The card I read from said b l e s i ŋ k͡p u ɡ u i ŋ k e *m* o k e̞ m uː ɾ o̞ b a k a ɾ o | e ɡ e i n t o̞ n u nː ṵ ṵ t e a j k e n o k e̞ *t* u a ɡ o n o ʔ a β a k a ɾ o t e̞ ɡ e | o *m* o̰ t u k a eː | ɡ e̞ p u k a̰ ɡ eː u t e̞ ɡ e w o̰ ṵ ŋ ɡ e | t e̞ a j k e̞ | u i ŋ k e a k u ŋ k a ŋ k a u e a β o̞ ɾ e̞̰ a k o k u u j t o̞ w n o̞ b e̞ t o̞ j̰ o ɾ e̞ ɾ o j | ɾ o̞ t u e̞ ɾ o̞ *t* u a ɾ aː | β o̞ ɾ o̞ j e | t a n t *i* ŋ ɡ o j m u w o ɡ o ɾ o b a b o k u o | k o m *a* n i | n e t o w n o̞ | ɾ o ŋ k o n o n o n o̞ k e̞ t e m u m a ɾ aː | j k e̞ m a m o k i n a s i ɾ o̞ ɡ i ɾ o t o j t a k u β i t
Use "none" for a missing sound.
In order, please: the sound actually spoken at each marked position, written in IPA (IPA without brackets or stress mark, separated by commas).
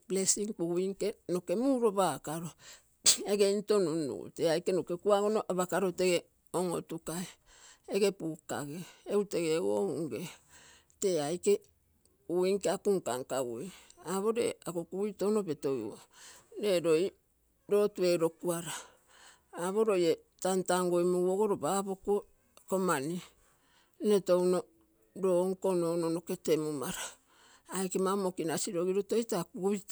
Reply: n, k, ŋ, k, a, a